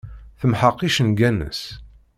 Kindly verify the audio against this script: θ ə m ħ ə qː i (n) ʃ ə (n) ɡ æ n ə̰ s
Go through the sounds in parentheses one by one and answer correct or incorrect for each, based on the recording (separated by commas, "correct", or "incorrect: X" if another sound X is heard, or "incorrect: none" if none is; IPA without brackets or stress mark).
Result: incorrect: none, correct